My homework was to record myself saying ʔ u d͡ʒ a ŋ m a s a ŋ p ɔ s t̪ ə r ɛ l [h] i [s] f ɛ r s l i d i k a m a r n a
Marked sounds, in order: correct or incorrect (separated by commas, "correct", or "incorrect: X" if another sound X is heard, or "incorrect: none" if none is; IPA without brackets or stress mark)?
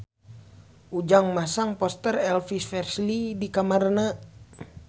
incorrect: f, correct